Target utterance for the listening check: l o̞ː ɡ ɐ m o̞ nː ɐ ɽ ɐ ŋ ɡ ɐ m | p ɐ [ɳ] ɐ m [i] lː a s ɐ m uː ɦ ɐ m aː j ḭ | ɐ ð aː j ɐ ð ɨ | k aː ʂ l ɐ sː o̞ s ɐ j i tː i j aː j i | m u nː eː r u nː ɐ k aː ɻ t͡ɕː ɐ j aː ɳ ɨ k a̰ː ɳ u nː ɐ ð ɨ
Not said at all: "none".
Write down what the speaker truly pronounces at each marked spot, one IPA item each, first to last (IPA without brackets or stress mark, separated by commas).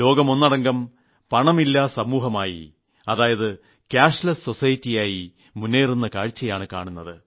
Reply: ɳ, i